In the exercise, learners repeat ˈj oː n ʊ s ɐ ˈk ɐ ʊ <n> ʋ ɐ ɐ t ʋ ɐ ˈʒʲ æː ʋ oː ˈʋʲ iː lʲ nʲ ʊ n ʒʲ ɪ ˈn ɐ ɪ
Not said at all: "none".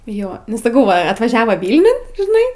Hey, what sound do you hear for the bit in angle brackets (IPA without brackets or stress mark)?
none